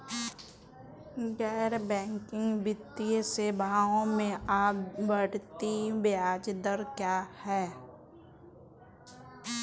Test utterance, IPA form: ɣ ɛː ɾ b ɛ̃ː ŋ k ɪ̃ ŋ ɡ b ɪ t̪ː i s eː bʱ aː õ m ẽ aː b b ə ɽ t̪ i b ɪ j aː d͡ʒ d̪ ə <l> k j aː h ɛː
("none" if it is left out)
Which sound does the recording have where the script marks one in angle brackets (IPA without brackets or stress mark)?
ɾ